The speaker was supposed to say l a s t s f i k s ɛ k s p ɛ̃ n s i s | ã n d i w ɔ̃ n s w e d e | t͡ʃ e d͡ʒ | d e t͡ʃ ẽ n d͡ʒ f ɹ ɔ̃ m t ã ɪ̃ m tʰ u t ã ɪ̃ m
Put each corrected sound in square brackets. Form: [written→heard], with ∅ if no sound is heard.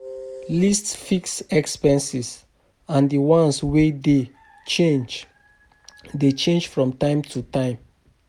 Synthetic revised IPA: l [a→i] s t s f i k s ɛ k s p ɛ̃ n s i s | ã n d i w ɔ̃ n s w e d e | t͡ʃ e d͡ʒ | d e t͡ʃ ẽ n d͡ʒ f ɹ ɔ̃ m t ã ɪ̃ m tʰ u t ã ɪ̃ m